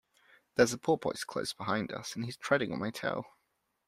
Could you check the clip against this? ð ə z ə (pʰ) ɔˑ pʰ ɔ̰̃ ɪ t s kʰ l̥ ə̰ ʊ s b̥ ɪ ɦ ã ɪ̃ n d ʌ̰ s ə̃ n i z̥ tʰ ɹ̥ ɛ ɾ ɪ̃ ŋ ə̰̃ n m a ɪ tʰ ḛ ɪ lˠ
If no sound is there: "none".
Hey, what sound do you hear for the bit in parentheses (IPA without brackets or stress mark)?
pʰ